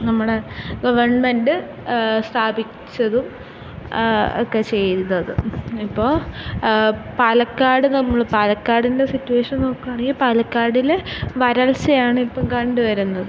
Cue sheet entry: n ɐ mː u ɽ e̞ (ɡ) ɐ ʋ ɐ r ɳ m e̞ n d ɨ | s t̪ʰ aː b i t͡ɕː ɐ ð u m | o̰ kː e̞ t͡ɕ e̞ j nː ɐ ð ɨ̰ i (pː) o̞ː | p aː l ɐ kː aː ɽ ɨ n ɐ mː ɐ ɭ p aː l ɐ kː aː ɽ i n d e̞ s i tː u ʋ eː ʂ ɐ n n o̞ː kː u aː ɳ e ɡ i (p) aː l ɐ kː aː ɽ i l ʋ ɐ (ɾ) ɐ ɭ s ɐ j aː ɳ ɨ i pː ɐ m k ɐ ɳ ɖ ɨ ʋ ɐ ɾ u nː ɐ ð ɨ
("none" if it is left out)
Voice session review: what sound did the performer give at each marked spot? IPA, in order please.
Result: ɡ, pː, p, ɾ

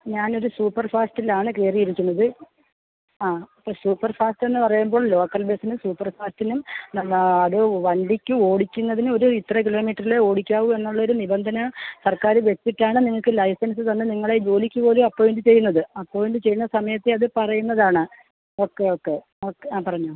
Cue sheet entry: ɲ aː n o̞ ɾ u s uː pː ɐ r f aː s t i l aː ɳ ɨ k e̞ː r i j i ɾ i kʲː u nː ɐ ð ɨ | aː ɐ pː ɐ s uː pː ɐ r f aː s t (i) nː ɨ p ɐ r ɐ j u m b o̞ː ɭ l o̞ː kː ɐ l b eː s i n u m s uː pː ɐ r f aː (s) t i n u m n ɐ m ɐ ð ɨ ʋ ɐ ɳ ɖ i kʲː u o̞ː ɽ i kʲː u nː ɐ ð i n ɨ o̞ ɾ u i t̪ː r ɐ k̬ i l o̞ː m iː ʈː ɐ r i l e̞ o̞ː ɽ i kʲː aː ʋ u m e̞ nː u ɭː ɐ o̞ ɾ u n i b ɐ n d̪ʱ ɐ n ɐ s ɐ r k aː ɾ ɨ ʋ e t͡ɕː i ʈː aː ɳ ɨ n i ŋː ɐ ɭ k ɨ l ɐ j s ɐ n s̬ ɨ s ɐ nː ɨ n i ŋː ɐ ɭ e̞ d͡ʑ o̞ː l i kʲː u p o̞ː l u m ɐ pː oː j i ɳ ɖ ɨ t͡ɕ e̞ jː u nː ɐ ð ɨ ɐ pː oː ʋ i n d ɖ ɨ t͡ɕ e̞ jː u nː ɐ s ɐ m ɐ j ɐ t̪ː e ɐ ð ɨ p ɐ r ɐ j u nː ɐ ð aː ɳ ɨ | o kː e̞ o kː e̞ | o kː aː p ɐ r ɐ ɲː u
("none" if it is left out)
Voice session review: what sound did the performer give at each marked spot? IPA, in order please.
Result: e, s

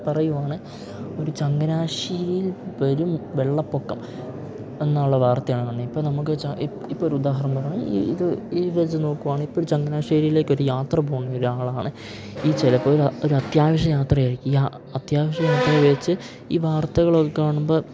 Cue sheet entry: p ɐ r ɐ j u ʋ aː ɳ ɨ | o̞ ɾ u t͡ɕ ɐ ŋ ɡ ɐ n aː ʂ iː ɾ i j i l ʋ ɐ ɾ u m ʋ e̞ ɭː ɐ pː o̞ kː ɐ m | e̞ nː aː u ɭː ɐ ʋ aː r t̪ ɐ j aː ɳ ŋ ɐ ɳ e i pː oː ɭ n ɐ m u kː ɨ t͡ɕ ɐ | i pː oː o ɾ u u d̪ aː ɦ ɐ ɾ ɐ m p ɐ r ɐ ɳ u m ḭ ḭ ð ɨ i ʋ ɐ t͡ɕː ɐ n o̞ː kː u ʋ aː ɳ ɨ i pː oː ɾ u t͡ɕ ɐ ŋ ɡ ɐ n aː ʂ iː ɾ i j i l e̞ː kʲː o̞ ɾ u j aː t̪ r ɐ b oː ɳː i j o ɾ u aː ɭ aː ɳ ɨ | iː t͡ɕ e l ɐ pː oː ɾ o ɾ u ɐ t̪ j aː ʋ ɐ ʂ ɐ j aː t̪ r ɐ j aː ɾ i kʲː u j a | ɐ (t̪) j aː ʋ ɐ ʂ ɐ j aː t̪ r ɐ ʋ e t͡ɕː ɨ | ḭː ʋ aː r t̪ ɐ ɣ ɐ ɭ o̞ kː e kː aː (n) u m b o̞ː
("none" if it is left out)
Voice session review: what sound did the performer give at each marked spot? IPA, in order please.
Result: t̪, ɳ

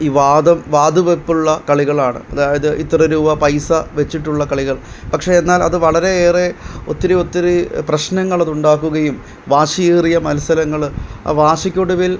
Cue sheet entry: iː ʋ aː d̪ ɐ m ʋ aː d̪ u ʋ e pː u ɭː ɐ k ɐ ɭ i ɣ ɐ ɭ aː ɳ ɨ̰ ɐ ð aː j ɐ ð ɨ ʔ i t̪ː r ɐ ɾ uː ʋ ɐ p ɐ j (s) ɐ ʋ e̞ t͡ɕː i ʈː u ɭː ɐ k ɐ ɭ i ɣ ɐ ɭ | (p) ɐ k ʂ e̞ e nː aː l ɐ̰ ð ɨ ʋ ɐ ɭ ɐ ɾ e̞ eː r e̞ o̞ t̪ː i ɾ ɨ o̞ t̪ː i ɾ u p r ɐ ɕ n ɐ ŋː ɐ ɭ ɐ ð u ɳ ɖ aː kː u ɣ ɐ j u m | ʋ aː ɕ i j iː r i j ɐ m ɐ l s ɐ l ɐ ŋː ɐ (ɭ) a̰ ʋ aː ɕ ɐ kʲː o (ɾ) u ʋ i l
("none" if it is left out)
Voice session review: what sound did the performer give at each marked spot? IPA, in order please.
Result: s, p, ɭ, ɽ

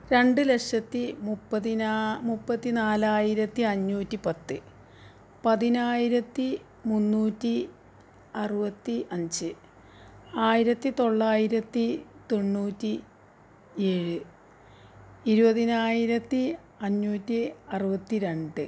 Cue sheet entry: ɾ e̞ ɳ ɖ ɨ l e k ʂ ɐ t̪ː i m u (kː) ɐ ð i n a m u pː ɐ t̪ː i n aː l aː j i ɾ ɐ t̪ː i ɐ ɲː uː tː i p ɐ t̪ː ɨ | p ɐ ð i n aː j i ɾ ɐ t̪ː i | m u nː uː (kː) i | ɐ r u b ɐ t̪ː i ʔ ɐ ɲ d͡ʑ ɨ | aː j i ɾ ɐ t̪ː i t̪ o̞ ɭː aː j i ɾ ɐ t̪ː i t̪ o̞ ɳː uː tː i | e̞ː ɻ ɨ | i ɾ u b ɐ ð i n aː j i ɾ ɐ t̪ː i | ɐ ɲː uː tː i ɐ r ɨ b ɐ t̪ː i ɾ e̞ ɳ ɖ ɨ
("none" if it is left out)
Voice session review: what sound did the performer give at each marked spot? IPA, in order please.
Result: pː, tː

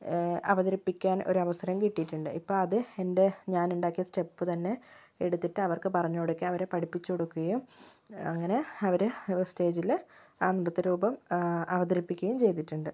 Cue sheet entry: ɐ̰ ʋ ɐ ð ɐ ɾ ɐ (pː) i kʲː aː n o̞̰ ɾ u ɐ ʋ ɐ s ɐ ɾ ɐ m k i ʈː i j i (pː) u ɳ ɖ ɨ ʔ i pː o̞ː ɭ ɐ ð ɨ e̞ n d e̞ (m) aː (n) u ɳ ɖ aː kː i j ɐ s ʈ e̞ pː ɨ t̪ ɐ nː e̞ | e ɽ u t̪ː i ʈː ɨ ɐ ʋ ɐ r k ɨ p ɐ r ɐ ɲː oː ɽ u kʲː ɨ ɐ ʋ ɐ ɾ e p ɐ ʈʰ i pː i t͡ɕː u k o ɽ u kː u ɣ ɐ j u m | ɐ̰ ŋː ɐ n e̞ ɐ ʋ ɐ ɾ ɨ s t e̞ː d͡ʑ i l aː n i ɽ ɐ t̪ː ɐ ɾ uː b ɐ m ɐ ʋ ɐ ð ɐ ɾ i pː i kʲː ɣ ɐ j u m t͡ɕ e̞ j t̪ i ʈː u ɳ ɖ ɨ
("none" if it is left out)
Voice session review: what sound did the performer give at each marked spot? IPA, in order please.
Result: pː, ʈː, ɲ, n

